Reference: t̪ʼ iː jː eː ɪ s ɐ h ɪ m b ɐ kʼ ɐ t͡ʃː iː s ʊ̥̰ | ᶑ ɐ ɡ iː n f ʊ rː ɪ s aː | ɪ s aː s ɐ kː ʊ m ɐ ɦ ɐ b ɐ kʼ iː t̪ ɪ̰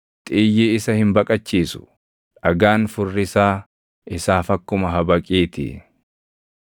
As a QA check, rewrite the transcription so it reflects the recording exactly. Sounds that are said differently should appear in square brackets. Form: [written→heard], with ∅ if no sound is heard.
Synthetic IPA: t̪ʼ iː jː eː ɪ s ɐ h ɪ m b ɐ kʼ ɐ t͡ʃː iː s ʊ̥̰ | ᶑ ɐ ɡ [iː→aː] n f ʊ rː ɪ s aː | ɪ s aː [s→f] ɐ kː ʊ m ɐ ɦ ɐ b ɐ kʼ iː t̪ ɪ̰